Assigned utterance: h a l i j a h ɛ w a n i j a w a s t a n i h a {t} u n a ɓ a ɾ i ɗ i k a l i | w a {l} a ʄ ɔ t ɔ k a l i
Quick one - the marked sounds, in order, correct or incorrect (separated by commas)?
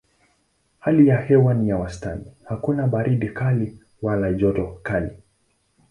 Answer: incorrect, correct